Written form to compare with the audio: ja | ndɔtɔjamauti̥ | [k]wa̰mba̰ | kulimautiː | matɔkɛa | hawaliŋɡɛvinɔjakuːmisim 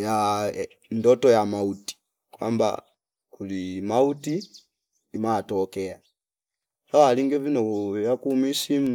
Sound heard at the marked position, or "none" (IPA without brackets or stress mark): k